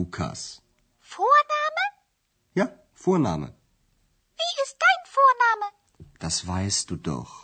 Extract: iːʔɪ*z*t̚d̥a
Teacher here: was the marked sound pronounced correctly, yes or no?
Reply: no